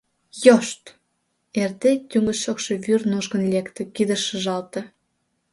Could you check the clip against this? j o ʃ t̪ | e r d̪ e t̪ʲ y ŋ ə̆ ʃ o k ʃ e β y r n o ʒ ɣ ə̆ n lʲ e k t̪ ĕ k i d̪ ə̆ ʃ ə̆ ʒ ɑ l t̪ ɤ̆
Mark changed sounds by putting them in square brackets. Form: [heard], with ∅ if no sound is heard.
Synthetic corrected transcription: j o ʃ t̪ | e r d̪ e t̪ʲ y ŋ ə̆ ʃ o k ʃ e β y r n o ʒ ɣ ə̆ n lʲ e k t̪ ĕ k i d̪ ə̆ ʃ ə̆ ʒ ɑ l t̪ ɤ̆